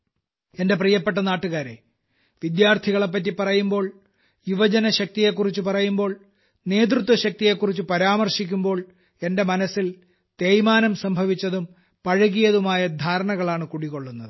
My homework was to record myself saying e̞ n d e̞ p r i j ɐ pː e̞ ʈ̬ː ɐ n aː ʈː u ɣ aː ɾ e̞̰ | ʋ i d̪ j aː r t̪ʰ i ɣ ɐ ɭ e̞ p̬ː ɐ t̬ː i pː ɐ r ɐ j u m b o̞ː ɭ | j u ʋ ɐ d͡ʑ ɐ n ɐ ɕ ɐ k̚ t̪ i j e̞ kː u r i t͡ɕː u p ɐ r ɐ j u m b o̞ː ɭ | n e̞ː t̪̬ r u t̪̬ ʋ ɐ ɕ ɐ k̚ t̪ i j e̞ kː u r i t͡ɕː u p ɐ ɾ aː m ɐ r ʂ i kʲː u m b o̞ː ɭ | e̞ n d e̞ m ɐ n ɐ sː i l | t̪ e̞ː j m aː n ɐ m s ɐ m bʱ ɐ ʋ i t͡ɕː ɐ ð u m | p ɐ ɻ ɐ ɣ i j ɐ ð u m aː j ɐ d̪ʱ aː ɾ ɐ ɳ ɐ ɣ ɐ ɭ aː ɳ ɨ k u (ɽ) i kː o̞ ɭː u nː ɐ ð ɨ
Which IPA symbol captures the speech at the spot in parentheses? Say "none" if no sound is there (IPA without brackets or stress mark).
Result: ɽ